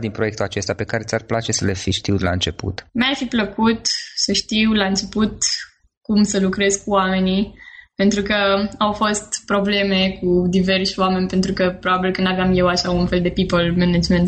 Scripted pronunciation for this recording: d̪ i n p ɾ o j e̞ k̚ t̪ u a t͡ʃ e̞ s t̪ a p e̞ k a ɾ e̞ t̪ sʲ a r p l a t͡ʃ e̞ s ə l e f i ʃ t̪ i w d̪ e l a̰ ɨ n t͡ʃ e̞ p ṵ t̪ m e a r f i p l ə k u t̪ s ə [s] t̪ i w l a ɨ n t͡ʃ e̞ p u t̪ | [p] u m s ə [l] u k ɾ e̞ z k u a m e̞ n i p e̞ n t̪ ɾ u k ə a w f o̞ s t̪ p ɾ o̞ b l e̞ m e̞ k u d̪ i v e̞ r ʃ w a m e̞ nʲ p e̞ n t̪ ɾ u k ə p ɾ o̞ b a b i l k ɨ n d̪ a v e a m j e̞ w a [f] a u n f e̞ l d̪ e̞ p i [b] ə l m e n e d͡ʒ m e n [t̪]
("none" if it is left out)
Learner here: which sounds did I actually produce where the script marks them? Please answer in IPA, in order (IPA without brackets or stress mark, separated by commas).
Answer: ʃ, k, l, ʃ, p, t̪